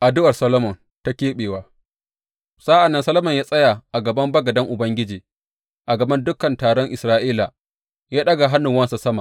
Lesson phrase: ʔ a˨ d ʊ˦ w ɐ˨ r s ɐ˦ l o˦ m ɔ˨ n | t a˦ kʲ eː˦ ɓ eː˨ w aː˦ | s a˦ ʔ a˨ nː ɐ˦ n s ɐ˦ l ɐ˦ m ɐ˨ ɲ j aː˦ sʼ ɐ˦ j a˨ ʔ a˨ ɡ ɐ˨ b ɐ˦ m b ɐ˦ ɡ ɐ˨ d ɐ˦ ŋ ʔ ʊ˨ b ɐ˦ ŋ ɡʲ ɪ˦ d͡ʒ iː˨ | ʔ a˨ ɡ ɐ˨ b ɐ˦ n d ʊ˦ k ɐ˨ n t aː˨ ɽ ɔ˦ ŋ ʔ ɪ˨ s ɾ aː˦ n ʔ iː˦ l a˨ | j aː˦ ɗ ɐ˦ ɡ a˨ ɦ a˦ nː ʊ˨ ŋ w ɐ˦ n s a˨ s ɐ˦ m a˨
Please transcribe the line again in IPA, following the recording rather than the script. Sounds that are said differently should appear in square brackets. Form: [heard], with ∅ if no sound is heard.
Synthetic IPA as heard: ʔ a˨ d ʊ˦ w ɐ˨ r s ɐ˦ l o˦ m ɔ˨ n | t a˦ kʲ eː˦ ɓ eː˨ w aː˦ | s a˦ ʔ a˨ nː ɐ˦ n s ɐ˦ l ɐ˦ m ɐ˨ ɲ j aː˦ sʼ ɐ˦ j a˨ ʔ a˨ ɡ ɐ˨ b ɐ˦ m b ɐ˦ ɡ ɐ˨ d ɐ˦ ŋ ʔ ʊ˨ b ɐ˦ ŋ ɡʲ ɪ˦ d͡ʒ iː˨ | ʔ a˨ ɡ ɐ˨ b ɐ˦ n d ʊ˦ k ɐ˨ n t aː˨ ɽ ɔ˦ ŋ ʔ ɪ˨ s ɾ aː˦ [∅] ʔ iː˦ l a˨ | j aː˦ ɗ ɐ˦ ɡ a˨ ɦ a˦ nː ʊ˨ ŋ w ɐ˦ n s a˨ s ɐ˦ m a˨